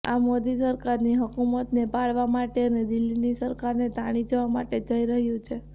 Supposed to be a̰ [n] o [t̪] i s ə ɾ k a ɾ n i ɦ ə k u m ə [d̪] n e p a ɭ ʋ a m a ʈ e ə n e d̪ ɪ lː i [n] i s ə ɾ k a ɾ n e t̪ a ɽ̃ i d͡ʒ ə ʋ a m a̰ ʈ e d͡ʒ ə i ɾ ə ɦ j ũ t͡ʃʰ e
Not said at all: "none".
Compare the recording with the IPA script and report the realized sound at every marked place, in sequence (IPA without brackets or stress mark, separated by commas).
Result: m, d̪, t̪, n